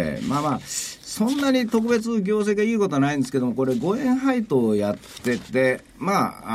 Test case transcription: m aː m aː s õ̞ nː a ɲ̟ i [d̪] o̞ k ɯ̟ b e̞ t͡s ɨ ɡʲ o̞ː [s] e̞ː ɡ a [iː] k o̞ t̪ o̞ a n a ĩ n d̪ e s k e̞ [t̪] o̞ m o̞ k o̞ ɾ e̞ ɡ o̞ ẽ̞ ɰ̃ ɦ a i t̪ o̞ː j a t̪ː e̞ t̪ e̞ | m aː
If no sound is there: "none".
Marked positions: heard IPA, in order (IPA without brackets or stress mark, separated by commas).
t̪, s, iː, d̪